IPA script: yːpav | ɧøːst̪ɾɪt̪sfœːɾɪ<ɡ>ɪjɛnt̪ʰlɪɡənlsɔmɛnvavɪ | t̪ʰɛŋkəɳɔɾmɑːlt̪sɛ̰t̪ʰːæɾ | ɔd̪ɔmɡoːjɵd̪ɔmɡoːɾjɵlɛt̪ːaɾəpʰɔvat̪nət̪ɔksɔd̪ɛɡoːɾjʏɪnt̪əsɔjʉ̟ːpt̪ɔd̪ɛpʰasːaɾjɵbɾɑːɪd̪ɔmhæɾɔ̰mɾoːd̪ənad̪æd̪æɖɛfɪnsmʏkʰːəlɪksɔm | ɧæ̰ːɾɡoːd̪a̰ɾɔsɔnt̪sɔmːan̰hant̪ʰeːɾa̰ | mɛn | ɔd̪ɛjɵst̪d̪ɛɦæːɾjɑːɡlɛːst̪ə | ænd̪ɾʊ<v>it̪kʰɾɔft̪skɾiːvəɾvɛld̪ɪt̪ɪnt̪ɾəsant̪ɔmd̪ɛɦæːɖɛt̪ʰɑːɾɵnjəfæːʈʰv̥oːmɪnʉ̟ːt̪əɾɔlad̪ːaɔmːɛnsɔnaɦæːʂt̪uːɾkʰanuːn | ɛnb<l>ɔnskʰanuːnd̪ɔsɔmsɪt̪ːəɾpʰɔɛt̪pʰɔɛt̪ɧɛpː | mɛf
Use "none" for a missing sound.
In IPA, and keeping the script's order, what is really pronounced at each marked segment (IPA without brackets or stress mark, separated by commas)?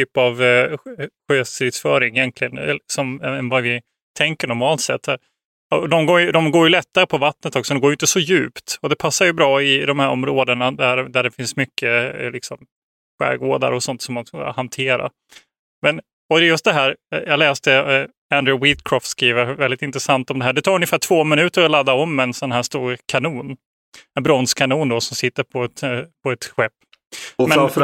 ŋ, w, ɾ